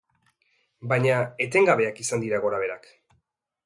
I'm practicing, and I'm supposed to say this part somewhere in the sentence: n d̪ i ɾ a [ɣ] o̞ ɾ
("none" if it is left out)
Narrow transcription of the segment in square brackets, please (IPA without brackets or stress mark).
ɣ